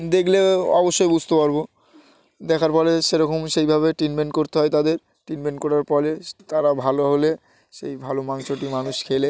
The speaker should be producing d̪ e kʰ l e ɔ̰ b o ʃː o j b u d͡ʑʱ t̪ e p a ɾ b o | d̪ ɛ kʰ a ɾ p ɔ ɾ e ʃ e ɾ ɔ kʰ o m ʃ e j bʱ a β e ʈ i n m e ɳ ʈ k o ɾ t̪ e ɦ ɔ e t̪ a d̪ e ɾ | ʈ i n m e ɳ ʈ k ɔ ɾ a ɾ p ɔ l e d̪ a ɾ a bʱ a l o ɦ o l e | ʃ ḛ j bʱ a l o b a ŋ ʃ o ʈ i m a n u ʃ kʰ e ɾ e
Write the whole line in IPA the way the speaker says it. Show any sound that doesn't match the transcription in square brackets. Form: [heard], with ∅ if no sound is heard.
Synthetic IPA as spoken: d̪ e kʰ l e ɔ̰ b o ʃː o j b u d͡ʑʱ t̪ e p a ɾ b o | d̪ ɛ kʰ a ɾ p ɔ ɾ e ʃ e ɾ ɔ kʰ o m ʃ e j bʱ a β e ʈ i n m e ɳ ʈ k o ɾ t̪ e ɦ ɔ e t̪ a d̪ e ɾ | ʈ i n m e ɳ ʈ k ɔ ɾ a ɾ p ɔ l e [t̪] a ɾ a bʱ a l o ɦ o l e | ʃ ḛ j bʱ a l o [m] a ŋ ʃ o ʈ i m a n u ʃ kʰ e [l] e